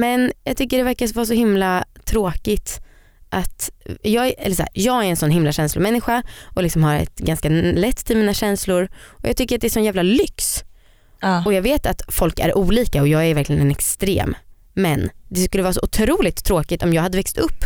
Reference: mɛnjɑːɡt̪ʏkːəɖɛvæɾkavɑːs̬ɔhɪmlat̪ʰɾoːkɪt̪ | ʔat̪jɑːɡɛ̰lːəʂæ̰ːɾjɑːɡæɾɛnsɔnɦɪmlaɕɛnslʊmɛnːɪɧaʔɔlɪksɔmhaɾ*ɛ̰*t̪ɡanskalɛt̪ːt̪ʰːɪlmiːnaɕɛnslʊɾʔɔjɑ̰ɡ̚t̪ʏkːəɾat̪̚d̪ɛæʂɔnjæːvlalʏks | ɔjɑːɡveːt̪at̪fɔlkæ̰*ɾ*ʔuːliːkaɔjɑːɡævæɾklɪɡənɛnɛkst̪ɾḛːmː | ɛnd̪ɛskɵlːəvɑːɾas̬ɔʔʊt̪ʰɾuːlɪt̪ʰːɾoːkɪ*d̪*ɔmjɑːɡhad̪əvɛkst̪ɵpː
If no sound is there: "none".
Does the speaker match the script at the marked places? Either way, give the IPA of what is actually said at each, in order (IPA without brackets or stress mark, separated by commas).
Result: ɛ̰, ɾ, t̪